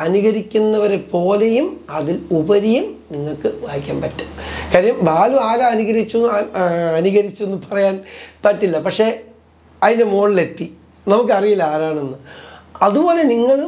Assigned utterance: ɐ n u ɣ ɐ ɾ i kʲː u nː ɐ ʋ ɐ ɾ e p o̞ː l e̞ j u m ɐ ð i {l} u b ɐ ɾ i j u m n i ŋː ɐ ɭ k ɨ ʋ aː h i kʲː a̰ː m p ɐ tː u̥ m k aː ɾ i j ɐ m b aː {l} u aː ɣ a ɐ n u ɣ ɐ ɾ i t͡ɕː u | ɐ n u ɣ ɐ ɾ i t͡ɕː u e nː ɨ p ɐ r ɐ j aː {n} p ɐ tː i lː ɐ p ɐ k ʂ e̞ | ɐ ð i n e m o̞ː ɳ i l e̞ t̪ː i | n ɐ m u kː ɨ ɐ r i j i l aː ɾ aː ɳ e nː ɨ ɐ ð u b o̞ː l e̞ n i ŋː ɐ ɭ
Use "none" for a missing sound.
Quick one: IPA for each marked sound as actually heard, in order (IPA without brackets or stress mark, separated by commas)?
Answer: l, l, n